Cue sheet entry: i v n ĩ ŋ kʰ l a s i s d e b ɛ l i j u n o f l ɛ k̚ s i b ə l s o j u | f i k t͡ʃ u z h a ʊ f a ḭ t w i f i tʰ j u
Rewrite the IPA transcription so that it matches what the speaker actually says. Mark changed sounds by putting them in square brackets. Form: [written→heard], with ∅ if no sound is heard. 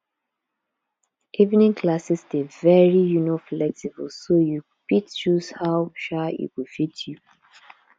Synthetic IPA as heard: i v n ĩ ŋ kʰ l a s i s d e [b→v] ɛ [l→ɹ] i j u n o f l ɛ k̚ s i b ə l s o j u | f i [k→t] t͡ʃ u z h a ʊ [f→ʃ] a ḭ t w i f i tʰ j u